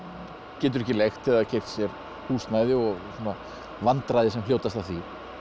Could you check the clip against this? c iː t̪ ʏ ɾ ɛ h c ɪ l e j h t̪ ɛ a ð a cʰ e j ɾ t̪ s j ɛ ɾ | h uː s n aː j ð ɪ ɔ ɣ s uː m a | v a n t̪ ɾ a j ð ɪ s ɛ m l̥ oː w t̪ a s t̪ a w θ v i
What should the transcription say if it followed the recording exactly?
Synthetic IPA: c ɛː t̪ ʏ ɾ ɛ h c ɪ l e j x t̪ ɛ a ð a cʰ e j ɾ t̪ s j ɛ ɾ | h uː s n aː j ð ɪ ɔ ɣ s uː n a | v a n t̪ ɾ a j ð ɪ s ɛ m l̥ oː w t̪ a s t̪ a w θ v i

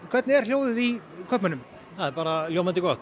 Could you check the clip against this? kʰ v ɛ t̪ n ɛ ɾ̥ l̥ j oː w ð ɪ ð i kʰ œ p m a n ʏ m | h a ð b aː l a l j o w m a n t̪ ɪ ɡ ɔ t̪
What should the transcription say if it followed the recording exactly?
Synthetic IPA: kʰ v ɛ t̪ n ɛ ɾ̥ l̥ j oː w ð ɪ ð i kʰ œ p m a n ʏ m | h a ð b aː ɾ a l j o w m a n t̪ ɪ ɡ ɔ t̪

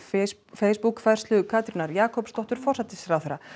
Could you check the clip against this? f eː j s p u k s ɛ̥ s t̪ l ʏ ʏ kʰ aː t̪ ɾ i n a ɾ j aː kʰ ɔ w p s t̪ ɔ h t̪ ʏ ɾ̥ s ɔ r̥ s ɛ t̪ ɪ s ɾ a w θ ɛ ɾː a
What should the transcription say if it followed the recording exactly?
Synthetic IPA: f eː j s p u k f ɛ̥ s t̪ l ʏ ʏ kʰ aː t̪ ɾ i n a ɾ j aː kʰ ɔ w p s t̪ ɔ h t̪ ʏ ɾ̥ f ɔ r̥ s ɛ t̪ ɪ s ɾ a w θ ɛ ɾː a

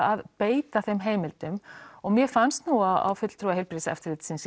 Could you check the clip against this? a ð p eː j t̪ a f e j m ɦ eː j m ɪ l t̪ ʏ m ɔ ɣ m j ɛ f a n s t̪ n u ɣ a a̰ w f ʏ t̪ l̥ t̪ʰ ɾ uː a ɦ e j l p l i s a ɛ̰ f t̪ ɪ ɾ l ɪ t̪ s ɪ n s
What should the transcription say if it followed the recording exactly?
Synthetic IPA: a ð p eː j t̪ a θ e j m ɦ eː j m ɪ l t̪ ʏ m ɔ ɣ m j ɛ f a n s t̪ n u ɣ a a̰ w f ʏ t̪ l̥ t̪ʰ ɾ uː a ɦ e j l p ɾ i s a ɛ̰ f t̪ ɪ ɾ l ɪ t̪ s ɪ n s

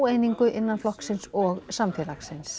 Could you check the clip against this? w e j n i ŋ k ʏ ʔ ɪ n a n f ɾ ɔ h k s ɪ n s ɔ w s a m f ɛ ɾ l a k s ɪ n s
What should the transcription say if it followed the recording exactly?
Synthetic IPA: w e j n i ŋ k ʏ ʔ ɪ nː a n f l ɔ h k s ɪ n s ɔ ɣ s a m f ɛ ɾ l a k s ɪ n s

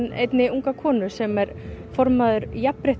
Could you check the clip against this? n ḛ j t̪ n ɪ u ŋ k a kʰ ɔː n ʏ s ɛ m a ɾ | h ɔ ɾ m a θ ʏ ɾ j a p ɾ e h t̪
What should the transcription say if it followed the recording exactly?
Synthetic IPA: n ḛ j t̪ n ɪ u ŋ k a kʰ ɔː n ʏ s ɛ m ɛ ɾ | f ɔ ɾ m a ð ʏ ɾ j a p ɾ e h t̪

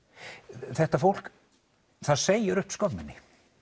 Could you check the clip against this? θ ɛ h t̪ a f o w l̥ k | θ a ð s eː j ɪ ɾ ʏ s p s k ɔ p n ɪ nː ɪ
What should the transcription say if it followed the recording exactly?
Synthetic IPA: θ ɛ h t̪ a f o w l̥ k | θ a ð s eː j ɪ ɾ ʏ h p s k ɔ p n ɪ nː ɪ

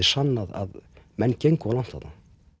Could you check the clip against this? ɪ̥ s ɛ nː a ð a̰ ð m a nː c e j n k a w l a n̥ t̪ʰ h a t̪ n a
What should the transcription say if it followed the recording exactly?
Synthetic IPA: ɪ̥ s a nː a ð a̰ ð m ɛ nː c e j ŋ k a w l a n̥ t̪ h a t̪ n a

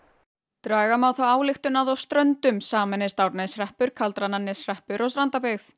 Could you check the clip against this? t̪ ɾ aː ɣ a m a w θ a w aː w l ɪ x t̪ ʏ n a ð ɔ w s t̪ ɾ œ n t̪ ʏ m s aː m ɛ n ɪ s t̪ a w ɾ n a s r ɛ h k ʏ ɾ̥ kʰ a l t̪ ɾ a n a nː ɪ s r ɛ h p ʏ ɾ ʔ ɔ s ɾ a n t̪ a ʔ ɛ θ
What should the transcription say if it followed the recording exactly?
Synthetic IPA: t̪ ɾ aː ɣ a m a w θ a w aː w l ɪ x t̪ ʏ n a ð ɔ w s t̪ ɾ œ n t̪ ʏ m s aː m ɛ n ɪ s t̪ a w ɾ n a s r ɛ h p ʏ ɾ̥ kʰ a l t̪ ɾ a n a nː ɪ s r ɛ h p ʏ ɾ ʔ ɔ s ɾ a n t̪ a p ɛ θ

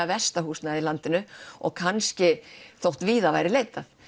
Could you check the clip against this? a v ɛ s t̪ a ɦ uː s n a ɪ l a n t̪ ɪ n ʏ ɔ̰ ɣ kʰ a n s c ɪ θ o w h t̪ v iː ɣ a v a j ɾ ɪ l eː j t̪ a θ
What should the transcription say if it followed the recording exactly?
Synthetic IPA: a v ɛ s t̪ a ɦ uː s n a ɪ l a n t̪ ɪ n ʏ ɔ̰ ɣ kʰ a n s c ɪ θ o w h t̪ v iː ð a v a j ɾ ɪ l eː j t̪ a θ

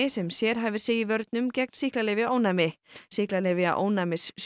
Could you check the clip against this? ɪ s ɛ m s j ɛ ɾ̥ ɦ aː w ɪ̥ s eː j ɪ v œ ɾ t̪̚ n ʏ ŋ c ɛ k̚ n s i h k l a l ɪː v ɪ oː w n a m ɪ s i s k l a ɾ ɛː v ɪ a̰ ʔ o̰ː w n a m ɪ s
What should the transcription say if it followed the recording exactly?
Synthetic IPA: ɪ s ɛ m s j ɛ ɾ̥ ɦ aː v ɪ̥ s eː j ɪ v œ ɾ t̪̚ n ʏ m c ɛ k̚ n s i h k l a l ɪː v ɪ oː w n a m ɪ s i h k l a l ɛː v ɪ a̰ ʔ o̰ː w n a m ɪ s

